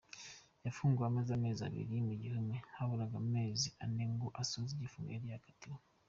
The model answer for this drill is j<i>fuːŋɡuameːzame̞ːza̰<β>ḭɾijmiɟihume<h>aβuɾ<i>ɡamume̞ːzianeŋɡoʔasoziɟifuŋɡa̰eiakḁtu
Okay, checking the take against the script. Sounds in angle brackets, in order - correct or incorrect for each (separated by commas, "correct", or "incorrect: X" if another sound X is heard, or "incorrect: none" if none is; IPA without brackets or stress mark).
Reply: incorrect: a, correct, correct, incorrect: a